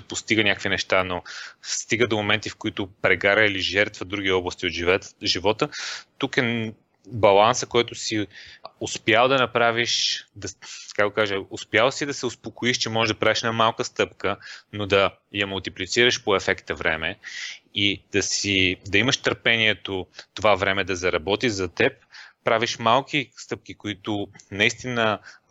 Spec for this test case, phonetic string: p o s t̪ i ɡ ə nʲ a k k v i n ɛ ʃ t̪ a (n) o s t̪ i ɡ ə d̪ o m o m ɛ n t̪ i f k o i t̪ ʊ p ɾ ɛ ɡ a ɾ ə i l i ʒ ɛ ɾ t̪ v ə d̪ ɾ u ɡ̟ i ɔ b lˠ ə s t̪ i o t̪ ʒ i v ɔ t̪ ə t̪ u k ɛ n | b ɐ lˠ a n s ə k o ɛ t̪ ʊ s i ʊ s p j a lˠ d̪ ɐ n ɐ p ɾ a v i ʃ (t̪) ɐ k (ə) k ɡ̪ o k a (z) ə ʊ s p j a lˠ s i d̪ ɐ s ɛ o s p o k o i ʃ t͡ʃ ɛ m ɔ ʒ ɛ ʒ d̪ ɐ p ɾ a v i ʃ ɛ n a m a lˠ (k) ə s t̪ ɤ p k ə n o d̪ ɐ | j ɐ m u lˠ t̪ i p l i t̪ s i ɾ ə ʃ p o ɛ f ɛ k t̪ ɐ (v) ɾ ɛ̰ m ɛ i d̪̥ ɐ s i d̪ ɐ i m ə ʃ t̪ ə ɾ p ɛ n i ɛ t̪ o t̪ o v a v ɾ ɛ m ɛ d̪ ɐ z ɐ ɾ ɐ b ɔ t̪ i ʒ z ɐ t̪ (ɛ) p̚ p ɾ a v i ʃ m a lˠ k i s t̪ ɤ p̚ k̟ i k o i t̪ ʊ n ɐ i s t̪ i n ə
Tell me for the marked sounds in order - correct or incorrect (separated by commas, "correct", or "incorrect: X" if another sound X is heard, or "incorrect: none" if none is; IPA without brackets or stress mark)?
correct, incorrect: d̪, incorrect: a, incorrect: ʒ, correct, correct, correct